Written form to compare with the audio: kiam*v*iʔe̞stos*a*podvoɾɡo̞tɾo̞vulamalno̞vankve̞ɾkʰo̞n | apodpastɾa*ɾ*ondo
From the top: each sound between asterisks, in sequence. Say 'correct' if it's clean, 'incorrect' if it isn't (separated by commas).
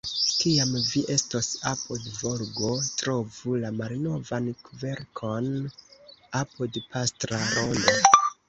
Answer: correct, correct, correct